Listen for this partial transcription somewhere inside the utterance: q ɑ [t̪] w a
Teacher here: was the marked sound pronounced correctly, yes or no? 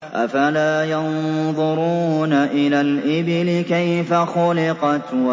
yes